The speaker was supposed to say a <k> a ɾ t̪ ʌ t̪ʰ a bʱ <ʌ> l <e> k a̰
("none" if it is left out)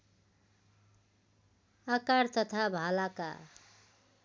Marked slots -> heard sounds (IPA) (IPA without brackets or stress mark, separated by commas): k, a, a